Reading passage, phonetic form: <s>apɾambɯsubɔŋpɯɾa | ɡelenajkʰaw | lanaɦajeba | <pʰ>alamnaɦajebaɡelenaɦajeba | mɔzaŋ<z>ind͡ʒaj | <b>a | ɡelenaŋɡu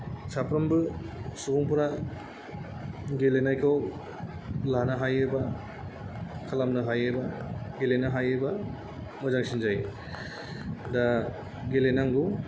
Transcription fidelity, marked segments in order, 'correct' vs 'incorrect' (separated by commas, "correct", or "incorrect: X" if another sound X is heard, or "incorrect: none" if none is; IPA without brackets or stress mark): correct, incorrect: kʰ, incorrect: s, incorrect: d